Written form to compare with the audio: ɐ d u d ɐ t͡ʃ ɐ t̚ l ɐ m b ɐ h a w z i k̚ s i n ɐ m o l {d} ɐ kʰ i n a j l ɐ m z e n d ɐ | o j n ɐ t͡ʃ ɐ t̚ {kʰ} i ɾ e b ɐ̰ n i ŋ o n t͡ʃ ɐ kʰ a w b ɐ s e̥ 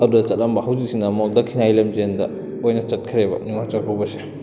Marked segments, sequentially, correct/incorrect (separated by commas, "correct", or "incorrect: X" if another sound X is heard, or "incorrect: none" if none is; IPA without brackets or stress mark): correct, correct